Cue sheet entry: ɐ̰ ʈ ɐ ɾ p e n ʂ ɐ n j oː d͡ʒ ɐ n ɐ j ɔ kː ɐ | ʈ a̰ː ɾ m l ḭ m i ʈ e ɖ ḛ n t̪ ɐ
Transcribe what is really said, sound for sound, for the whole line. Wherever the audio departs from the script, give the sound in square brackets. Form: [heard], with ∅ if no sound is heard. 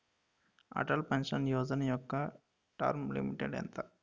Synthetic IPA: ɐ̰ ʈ ɐ [l] p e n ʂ ɐ n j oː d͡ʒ ɐ n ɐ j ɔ kː ɐ | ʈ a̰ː ɾ m l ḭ m i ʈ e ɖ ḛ n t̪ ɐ